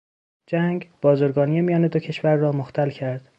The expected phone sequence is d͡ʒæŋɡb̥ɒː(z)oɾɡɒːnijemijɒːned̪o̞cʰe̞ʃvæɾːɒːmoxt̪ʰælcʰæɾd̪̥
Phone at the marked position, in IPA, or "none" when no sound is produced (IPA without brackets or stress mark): z